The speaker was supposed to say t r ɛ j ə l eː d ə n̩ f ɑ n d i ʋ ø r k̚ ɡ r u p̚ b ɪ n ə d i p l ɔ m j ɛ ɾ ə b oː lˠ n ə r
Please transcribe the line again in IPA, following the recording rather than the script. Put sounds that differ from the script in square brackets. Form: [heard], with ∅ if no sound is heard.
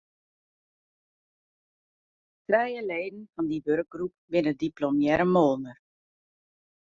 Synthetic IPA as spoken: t r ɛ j ə l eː d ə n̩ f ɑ n d i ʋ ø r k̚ ɡ r u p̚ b ɪ n ə d i p l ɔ m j ɛ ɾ ə [m] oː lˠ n ə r